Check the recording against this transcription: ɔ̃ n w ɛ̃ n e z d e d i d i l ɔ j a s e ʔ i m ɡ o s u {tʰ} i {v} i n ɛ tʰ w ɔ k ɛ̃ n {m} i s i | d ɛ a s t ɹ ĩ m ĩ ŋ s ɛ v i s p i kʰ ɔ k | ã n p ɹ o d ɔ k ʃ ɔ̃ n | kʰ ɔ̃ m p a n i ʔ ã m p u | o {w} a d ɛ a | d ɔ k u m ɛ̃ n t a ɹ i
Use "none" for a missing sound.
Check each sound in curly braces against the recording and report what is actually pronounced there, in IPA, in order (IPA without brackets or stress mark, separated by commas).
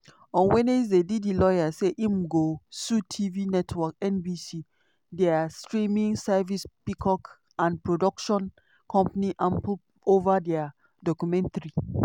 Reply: tʰ, v, b, v